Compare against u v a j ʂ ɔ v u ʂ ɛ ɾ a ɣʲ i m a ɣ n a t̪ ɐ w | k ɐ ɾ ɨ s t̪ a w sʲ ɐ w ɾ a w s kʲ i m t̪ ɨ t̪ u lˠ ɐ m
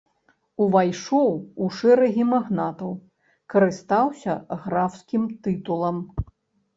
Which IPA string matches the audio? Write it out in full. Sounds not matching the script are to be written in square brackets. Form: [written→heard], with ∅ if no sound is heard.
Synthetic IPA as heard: u v a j ʂ ɔ [v→w] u ʂ ɛ ɾ [a→ɐ] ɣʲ i m a ɣ n a t̪ ɐ w | k ɐ ɾ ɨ s t̪ a w sʲ ɐ [w→ɣ] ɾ a w s kʲ i m t̪ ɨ t̪ u lˠ ɐ m